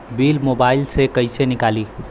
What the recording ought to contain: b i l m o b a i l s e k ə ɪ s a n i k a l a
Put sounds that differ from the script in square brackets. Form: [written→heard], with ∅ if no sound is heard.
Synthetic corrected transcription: b i l m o b a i l s e k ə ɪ s [a→e] n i k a l [a→i]

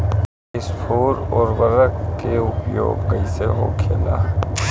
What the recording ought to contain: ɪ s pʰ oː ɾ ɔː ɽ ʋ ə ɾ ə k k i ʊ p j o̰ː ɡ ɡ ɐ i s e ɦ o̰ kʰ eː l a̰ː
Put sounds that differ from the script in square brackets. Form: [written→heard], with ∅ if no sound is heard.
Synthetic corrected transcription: ɪ s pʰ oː ɾ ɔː [ɽ→ɾ] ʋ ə ɾ ə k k [i→e] ʊ p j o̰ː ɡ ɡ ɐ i s e ɦ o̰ kʰ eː l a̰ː

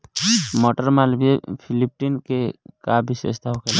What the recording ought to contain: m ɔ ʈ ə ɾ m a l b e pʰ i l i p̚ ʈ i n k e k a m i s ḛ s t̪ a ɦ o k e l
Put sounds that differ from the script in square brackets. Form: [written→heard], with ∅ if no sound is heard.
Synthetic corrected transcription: m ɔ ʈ ə ɾ m a l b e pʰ i l i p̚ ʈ i n k e k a [m→b] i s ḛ s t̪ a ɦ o k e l

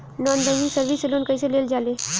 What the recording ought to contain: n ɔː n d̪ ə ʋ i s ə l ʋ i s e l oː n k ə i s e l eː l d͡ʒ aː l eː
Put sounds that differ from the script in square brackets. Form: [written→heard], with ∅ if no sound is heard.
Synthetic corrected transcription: n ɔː n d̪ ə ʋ i s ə [l→ɾ] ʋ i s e l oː n k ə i s e l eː l d͡ʒ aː l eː

